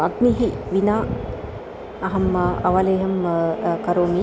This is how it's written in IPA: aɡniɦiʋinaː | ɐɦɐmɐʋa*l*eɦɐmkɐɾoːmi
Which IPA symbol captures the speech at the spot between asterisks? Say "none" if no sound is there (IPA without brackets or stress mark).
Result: l